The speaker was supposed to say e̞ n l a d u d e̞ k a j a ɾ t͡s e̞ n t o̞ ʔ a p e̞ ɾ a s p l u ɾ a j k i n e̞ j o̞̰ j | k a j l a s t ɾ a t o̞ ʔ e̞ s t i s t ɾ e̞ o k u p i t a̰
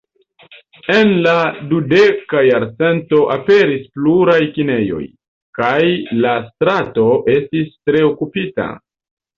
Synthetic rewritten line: e̞ n l a d u d e̞ k a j a ɾ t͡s e̞ n t o̞ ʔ a p e̞ ɾ i s p l u ɾ a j k i n e̞ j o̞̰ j | k a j l a s t ɾ a t o̞ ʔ e̞ s t i s t ɾ e̞ o k u p i t a̰